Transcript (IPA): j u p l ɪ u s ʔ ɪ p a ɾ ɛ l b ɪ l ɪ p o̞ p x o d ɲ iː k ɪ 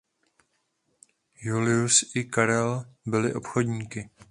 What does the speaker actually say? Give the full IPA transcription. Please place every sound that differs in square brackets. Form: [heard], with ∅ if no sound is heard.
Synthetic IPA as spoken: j u [∅] l ɪ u s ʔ ɪ [k] a ɾ ɛ l b ɪ l ɪ [ʔ] o̞ p x o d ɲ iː k ɪ